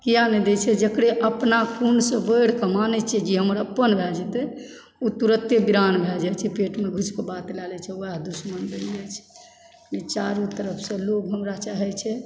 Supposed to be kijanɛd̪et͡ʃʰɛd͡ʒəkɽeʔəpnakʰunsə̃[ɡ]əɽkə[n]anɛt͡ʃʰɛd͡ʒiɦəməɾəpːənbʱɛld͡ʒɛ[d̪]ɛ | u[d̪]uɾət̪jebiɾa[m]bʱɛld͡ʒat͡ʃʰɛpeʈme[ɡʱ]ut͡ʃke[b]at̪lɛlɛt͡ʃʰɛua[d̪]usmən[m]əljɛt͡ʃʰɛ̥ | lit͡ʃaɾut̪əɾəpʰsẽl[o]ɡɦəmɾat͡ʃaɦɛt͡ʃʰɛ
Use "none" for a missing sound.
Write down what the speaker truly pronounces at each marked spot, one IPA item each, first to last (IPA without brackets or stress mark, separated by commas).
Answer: b, m, t̪, t̪, n, ɡʱ, b, d̪, b, o